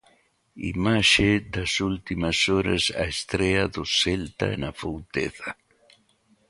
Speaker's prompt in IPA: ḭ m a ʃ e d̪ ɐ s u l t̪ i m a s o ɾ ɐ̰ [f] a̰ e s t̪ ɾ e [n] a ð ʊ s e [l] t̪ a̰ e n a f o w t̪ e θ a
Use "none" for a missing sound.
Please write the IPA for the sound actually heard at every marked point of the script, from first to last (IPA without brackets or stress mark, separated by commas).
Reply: s, none, l